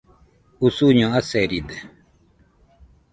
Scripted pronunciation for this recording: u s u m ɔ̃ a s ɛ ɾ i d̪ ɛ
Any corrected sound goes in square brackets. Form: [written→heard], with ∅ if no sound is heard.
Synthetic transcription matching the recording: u s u [m→ɲ] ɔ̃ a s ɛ ɾ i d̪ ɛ